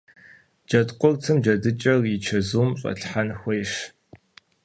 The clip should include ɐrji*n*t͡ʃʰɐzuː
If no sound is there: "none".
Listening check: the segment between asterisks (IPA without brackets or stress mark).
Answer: none